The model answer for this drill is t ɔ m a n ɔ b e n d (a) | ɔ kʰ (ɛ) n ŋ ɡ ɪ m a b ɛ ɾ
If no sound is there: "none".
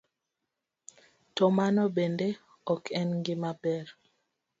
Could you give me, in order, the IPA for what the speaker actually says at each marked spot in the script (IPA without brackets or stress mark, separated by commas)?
e, ɛ